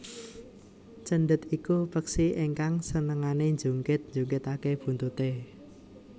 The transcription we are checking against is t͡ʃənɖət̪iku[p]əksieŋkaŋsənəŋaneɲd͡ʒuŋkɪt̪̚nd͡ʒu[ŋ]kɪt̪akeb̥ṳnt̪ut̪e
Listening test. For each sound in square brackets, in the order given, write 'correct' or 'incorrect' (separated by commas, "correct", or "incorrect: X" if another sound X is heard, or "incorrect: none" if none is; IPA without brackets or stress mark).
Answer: correct, correct